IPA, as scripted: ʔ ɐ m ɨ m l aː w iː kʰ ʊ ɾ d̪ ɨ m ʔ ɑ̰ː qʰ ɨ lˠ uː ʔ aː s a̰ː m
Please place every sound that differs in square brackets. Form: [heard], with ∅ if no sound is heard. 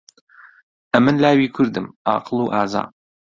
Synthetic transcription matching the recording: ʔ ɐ m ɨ [n] l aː w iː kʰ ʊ ɾ d̪ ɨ m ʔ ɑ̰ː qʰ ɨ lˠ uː ʔ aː [z] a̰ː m

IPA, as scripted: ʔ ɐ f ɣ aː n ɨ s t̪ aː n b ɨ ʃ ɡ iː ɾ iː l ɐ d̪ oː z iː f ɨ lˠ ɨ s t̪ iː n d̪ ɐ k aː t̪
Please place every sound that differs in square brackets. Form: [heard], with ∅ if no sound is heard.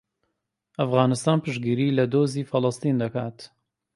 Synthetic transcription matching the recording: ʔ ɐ f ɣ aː n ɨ s t̪ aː n [p] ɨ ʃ ɡ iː ɾ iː l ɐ d̪ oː z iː f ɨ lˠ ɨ s t̪ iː n d̪ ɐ k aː t̪

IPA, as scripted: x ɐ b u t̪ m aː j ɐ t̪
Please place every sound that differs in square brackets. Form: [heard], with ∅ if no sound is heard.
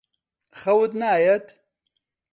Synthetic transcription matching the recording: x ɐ [w] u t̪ [n] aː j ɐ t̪

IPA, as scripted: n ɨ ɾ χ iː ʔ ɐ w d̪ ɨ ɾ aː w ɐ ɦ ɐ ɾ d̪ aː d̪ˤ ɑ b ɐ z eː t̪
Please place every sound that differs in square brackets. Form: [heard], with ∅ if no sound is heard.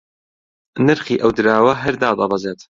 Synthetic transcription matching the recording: n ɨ ɾ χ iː ʔ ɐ w d̪ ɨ ɾ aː w ɐ ɦ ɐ ɾ d̪ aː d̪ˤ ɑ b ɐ z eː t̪

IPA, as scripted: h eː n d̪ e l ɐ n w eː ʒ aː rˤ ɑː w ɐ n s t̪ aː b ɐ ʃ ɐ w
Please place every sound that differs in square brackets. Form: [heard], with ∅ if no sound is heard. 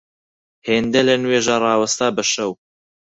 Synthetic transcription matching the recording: h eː n d̪ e l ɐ n w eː ʒ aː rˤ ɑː w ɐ [∅] s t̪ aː b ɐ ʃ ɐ w

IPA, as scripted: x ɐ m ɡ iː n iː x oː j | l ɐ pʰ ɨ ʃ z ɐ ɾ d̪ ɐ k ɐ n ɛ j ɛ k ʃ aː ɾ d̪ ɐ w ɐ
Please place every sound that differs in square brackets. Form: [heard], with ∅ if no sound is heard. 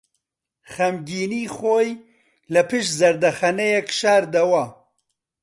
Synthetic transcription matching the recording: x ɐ m ɡ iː n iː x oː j | l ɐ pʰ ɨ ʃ z ɐ ɾ d̪ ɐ [x] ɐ n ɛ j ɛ k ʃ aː ɾ d̪ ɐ w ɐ

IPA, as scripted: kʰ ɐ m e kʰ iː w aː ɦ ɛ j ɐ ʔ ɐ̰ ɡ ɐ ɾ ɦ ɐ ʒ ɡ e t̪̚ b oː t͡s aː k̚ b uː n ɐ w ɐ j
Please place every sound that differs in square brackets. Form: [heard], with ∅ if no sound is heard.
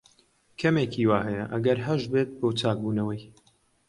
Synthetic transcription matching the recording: kʰ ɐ m e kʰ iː w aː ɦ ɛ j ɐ ʔ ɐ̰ ɡ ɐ ɾ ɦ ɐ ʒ [b] e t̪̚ b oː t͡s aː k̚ b uː n ɐ w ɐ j

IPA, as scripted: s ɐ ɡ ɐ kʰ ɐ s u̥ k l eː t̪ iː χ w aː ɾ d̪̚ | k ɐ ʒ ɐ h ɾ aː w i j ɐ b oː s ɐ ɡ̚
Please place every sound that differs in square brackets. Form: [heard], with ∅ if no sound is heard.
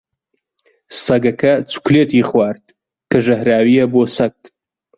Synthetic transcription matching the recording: s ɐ ɡ ɐ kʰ ɐ [t͡s] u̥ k l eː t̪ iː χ w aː ɾ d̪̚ | k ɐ ʒ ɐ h ɾ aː w i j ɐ b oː s ɐ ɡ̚

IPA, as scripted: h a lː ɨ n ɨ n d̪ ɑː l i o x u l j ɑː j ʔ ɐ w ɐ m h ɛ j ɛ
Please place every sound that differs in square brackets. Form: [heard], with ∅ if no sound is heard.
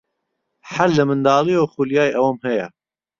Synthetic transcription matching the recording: [ħ] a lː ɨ [m] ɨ n d̪ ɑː l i o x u l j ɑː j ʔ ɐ w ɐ m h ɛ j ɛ

